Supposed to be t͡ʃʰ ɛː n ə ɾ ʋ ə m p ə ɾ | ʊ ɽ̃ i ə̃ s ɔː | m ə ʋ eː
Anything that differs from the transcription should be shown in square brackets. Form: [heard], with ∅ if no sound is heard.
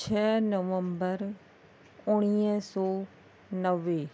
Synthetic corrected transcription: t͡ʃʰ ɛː n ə [∅] ʋ ə m [b] ə ɾ | ʊ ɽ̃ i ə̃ s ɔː | [n] ə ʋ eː